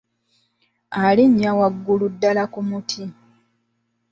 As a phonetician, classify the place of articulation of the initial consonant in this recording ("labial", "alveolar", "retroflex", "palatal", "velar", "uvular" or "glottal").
alveolar